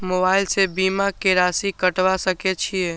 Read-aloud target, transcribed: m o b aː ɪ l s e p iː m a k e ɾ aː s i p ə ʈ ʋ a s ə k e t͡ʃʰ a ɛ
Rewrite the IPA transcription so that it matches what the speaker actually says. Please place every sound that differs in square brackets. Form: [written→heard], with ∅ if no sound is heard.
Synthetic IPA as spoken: m o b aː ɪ l s e [p→b] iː m a k e ɾ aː s i [p→k] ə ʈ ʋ a s ə k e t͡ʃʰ [a→i] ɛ